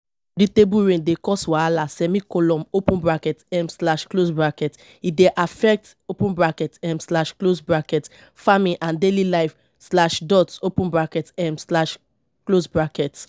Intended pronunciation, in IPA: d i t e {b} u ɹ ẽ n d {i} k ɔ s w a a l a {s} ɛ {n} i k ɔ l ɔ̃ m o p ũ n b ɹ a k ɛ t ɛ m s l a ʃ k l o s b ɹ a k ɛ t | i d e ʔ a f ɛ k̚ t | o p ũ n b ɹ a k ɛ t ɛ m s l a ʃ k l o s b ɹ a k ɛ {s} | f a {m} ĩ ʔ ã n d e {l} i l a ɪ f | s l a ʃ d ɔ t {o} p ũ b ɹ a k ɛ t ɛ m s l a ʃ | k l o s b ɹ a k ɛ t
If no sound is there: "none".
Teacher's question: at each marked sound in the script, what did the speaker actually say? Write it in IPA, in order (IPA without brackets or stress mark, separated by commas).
b, e, s, m, t, m, l, o